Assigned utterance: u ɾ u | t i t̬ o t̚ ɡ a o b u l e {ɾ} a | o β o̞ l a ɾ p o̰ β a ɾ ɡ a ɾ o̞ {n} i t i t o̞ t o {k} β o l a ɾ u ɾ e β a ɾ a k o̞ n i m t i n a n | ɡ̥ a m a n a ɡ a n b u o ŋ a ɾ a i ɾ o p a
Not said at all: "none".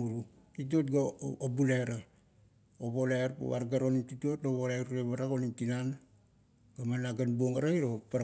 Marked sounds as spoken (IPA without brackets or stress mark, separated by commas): ɾ, n, none